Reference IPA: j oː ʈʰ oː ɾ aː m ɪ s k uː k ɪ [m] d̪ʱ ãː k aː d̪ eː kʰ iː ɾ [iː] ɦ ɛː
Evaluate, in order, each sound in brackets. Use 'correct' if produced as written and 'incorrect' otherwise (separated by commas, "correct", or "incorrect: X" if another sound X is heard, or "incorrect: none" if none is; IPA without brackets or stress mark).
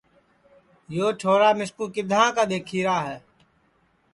incorrect: none, incorrect: aː